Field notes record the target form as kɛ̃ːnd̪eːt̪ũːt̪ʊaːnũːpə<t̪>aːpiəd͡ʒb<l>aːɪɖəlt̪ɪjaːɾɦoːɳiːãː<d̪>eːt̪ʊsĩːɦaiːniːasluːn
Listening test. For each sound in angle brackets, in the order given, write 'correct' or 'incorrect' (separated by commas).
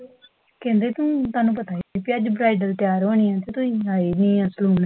correct, incorrect, incorrect